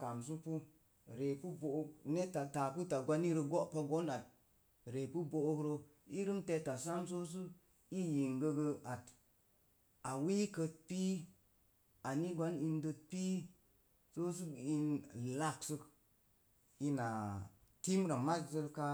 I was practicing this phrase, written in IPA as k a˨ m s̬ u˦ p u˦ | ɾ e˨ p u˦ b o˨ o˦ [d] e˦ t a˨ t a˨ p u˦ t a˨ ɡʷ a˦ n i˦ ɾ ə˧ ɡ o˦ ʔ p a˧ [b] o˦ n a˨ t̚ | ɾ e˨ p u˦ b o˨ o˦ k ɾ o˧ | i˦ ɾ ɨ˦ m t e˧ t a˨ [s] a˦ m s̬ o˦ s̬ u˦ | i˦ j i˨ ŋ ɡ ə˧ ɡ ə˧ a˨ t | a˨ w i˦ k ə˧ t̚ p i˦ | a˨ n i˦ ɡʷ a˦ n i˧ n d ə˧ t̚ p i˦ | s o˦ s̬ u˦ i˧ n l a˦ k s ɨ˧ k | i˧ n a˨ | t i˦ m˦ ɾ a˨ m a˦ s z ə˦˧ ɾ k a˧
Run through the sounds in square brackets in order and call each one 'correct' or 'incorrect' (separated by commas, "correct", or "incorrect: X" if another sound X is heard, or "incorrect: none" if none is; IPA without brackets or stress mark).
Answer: incorrect: n, incorrect: ɡ, correct